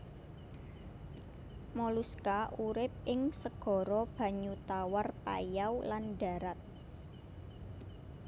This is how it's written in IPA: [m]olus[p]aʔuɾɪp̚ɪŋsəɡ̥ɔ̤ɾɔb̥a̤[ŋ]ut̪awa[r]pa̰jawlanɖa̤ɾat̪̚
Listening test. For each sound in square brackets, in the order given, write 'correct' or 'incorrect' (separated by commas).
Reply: correct, incorrect, incorrect, correct